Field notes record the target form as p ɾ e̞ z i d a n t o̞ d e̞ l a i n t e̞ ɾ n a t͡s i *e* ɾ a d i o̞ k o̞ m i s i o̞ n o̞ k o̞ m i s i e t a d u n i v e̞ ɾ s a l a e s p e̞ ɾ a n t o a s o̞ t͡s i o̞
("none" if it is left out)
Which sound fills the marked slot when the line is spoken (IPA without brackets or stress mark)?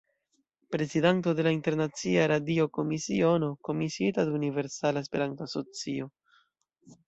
a